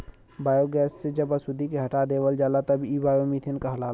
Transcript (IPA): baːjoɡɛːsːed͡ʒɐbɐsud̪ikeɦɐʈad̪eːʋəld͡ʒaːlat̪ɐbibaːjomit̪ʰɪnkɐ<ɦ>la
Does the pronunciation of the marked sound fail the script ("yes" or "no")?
no